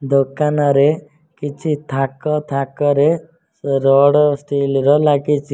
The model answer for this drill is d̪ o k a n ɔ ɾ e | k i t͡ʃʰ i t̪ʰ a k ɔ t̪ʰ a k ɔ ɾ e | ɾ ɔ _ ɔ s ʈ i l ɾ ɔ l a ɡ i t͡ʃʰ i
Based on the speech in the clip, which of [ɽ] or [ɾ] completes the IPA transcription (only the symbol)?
ɽ